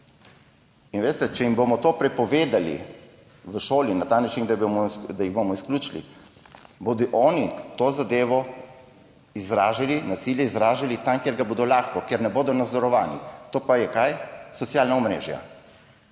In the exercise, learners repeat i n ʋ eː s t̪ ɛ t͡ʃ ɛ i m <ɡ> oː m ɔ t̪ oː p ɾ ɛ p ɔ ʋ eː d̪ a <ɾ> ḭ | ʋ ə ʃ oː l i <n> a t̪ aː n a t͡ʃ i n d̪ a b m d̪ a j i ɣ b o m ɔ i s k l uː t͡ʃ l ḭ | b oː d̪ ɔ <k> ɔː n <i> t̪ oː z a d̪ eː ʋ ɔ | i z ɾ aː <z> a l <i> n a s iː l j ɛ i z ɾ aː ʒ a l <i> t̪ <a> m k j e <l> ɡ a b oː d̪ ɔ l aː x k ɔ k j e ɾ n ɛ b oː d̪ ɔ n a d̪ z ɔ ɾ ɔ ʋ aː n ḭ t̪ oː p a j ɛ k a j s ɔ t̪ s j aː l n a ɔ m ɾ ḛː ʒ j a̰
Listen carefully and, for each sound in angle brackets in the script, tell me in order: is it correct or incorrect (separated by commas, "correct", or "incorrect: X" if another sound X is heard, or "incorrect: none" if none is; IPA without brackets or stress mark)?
incorrect: b, incorrect: l, correct, incorrect: ʔ, correct, incorrect: ʒ, correct, correct, correct, incorrect: ɾ